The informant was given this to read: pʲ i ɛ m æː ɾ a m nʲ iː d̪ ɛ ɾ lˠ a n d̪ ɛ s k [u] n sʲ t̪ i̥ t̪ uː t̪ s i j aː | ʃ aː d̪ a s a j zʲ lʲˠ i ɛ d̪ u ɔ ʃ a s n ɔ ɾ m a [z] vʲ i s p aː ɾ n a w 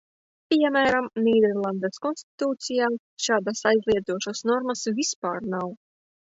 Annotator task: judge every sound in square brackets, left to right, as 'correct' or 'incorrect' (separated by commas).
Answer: incorrect, incorrect